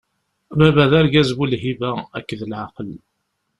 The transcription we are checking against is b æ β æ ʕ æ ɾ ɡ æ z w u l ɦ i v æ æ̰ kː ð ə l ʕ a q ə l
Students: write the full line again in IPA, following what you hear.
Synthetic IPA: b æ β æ ð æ ɾ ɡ æ z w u l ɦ i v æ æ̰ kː ð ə l ʕ a q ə l